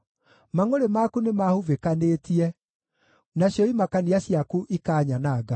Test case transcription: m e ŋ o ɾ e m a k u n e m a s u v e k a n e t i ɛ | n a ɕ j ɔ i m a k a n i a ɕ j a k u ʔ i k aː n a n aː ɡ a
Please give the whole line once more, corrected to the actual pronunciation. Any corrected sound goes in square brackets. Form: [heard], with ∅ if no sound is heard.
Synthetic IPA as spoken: m [a] ŋ o ɾ e m a k u n e m a [h] u v e k a n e t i ɛ | n a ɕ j ɔ i m a k a n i a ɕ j a k u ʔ i k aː [ɲ] a n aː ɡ a